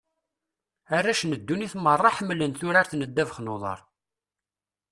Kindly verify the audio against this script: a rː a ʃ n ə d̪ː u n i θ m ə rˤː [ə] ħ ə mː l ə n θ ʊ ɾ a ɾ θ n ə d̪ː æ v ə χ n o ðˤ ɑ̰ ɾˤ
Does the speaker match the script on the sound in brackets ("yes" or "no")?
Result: no